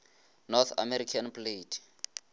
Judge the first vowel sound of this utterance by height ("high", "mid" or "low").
mid